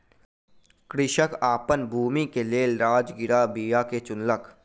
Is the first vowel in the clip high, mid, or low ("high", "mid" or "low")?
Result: high